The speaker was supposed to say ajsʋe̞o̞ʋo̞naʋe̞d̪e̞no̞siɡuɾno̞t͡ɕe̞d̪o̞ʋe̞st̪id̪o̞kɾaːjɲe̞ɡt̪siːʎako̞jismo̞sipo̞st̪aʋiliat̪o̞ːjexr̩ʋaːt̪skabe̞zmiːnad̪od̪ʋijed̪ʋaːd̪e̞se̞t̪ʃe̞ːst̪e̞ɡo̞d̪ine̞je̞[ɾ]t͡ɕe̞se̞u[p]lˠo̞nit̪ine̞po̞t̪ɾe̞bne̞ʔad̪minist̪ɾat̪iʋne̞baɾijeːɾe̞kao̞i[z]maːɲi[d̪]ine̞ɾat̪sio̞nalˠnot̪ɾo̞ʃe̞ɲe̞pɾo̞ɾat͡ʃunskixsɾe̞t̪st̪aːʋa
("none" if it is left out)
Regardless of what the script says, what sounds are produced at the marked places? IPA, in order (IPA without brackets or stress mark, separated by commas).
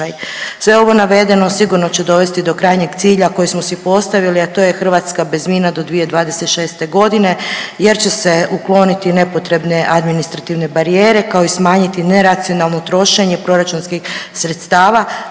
ɾ, k, s, t̪